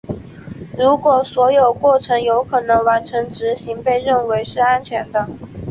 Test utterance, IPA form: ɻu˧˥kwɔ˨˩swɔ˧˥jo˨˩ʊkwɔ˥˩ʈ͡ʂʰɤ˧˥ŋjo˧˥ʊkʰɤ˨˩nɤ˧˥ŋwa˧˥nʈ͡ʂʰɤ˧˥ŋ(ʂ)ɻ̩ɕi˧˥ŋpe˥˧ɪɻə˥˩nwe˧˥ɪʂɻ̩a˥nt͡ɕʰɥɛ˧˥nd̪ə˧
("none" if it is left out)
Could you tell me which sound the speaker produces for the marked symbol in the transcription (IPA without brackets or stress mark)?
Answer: ʈ͡ʂ